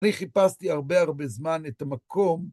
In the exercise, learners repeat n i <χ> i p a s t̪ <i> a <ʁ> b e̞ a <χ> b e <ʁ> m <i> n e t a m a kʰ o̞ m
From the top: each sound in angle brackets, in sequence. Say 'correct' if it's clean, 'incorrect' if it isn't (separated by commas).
correct, correct, correct, incorrect, incorrect, incorrect